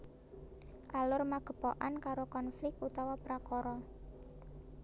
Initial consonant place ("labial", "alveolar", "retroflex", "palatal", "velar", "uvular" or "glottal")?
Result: glottal